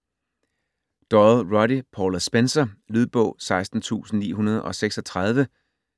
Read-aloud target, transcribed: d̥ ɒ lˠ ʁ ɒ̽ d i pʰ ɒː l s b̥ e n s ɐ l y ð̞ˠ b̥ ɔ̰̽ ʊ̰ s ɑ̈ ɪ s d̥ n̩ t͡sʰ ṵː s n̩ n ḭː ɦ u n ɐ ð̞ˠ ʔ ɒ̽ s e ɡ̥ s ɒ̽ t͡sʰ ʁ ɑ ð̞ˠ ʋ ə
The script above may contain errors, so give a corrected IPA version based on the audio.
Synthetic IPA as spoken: d̥ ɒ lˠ ʁ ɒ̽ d i pʰ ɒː l s b̥ e n s ɐ l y ð̞ˠ b̥ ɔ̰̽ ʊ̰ s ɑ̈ ɪ s d̥ n̩ t͡sʰ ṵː s n̩ n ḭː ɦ u n ɐ ð̞ˠ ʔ ɒ̽ s e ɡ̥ s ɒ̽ t͡sʰ ʁ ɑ ð̞ˠ ʋ ə